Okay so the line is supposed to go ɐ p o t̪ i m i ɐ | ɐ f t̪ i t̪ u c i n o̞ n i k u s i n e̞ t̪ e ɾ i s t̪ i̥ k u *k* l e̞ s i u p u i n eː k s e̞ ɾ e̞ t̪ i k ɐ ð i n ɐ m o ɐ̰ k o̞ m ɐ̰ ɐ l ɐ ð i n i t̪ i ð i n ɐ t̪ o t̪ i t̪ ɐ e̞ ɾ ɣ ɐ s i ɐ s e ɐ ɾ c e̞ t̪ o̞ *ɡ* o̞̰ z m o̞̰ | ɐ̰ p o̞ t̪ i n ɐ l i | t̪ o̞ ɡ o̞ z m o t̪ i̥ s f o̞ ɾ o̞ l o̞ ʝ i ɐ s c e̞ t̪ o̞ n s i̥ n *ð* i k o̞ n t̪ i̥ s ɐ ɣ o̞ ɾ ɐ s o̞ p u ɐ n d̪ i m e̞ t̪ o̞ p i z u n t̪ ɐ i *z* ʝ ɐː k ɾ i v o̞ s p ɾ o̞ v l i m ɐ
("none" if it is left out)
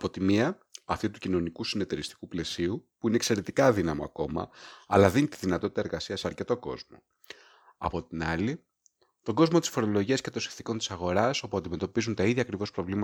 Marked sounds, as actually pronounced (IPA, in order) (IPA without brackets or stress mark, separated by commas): p, k, θ, ð